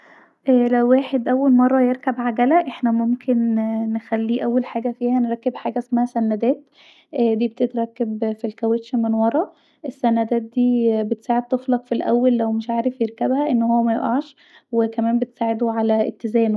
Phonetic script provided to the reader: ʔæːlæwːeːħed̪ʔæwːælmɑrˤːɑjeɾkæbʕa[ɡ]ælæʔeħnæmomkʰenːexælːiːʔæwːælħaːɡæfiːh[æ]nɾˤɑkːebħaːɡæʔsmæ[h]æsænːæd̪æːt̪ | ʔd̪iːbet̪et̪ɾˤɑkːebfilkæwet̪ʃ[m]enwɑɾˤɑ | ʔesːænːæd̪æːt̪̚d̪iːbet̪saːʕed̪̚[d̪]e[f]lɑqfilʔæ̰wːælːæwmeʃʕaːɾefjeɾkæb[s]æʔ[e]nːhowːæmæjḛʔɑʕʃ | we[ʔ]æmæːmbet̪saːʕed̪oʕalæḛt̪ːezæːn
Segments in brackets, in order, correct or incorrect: correct, correct, correct, correct, incorrect, correct, incorrect, correct, incorrect

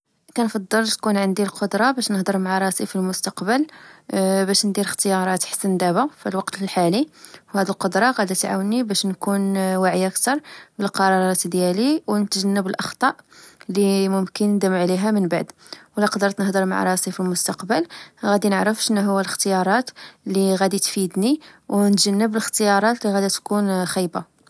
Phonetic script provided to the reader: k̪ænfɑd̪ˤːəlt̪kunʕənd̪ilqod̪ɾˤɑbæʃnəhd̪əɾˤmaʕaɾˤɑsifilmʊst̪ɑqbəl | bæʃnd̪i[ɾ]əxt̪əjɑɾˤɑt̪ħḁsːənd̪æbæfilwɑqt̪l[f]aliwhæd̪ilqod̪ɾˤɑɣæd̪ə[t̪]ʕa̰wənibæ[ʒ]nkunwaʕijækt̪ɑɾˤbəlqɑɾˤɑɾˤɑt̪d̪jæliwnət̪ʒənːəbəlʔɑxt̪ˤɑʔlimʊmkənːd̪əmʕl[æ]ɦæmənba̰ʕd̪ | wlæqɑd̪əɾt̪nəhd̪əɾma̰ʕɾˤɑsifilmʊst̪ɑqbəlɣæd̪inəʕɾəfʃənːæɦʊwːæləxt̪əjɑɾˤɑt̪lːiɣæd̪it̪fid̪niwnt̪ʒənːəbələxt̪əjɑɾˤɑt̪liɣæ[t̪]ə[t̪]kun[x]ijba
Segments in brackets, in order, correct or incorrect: correct, incorrect, correct, incorrect, incorrect, incorrect, correct, correct

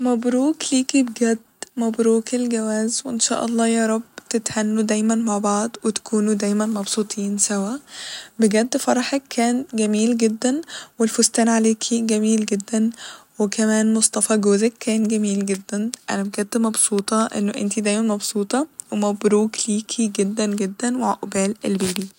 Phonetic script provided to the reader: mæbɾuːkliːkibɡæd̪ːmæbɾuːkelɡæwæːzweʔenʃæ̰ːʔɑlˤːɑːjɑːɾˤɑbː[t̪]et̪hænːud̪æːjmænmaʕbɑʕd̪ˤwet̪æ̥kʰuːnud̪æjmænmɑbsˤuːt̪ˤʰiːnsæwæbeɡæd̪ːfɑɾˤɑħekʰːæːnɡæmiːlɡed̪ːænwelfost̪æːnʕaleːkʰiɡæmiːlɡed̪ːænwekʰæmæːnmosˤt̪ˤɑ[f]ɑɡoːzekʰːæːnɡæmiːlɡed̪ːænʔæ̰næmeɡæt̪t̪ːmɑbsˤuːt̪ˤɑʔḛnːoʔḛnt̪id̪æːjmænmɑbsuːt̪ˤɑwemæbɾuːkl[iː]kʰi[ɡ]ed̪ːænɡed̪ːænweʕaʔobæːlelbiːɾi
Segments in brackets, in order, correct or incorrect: correct, correct, correct, correct

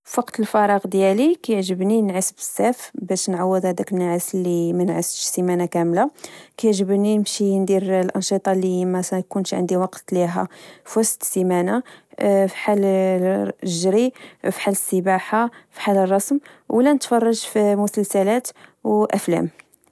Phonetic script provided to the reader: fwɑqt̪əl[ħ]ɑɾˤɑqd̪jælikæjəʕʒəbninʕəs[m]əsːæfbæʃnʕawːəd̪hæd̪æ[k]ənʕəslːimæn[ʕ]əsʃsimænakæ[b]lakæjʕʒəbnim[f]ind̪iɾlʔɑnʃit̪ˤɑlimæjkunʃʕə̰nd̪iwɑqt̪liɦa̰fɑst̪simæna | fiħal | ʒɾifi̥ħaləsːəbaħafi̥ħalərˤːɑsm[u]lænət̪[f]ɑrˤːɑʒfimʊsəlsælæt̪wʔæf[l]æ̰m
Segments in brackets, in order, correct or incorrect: incorrect, incorrect, correct, correct, incorrect, incorrect, incorrect, correct, correct

